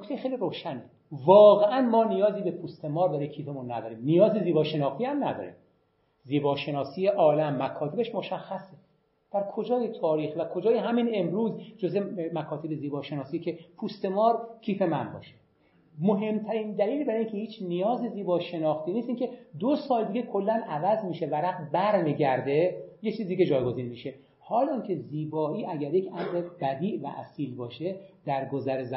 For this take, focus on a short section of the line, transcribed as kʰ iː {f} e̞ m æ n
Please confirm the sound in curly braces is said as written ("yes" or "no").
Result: yes